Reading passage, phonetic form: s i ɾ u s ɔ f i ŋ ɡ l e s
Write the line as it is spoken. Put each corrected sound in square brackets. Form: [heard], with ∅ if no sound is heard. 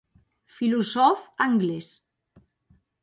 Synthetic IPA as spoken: [f] i [l] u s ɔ f [a] ŋ ɡ l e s